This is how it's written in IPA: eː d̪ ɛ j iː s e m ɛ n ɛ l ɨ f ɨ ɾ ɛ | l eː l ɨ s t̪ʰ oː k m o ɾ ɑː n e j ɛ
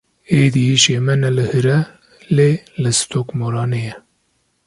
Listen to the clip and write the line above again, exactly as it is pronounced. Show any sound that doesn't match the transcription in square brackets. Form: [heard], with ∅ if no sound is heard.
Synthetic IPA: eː d̪ [i] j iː [ʃ] e m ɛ n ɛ l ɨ [h] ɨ ɾ ɛ | l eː l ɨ s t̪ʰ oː k m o ɾ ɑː n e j ɛ